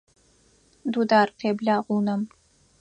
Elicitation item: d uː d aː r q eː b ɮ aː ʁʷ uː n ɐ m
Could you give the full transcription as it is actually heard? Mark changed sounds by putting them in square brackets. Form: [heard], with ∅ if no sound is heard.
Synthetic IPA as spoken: d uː d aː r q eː b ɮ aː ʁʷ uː n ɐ m